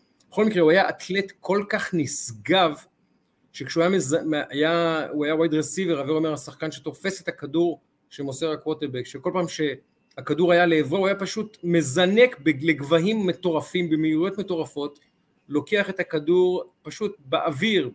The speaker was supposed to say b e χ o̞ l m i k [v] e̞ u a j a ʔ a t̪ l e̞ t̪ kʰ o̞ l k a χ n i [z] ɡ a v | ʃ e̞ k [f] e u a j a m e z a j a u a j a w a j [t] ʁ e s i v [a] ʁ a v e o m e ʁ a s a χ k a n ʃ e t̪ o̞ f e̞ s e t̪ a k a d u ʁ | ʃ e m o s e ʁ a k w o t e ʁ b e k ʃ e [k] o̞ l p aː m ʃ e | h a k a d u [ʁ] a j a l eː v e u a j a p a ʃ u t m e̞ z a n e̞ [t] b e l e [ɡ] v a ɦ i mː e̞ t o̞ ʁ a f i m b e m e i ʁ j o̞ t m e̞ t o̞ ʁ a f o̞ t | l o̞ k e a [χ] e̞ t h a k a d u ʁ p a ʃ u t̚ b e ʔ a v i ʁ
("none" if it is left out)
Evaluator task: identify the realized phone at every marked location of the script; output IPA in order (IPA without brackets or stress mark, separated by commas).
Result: ʁ, s, ʃ, d, e, k, ʁ, k, ɡ, χ